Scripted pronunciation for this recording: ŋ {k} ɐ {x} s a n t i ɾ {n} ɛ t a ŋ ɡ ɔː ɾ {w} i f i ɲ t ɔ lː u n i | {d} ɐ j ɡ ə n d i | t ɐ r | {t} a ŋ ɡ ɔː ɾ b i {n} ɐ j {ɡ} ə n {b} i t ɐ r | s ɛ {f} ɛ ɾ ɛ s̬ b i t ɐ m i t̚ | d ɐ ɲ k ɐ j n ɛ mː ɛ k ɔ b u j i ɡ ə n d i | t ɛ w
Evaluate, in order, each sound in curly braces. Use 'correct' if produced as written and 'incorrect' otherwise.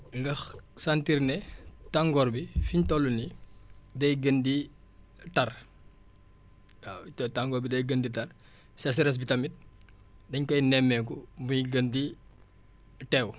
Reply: incorrect: ɡ, correct, correct, incorrect: b, correct, correct, incorrect: d, correct, incorrect: d, incorrect: s

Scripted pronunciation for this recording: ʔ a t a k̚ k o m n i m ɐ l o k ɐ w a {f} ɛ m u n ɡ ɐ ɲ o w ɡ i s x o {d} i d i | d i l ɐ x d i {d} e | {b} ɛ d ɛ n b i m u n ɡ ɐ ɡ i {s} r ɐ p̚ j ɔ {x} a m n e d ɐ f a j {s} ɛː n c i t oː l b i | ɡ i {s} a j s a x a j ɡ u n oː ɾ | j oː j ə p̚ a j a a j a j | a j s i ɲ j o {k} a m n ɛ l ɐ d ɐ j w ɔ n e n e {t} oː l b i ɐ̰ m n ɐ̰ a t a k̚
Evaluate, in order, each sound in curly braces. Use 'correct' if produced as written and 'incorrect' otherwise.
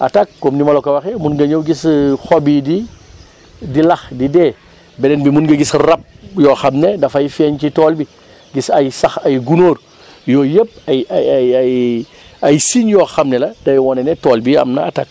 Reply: incorrect: x, incorrect: b, correct, correct, correct, correct, incorrect: f, correct, incorrect: x, correct

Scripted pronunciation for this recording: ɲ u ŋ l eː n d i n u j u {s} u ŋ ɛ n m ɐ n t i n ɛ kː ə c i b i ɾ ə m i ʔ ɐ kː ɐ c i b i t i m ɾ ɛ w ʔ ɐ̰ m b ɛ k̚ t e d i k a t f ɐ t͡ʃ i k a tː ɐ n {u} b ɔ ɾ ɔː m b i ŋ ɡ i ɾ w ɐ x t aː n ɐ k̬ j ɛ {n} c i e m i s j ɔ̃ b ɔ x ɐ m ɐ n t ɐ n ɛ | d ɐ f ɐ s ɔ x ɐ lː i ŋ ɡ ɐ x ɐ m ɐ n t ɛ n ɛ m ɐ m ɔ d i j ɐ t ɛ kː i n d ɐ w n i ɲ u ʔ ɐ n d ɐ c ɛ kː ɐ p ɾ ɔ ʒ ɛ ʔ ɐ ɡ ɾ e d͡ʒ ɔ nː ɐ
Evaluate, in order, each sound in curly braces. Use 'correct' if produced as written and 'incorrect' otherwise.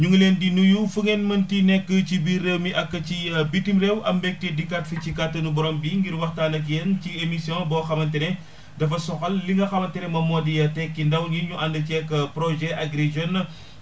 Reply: incorrect: f, correct, correct

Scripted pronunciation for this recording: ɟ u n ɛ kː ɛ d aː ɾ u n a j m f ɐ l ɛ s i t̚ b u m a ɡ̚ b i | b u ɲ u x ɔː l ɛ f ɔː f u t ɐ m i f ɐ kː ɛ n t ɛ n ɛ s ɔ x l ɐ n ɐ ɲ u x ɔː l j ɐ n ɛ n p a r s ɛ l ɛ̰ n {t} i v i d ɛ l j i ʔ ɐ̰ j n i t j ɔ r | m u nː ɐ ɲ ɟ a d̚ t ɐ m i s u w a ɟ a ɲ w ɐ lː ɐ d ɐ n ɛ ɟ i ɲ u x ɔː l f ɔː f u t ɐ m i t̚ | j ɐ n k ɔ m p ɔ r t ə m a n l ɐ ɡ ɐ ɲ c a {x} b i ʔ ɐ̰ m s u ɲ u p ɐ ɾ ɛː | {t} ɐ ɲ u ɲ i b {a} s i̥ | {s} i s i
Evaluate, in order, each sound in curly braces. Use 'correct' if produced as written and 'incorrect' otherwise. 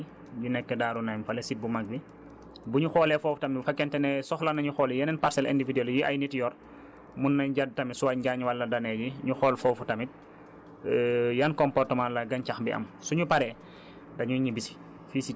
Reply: incorrect: d, correct, incorrect: d, incorrect: i, incorrect: f

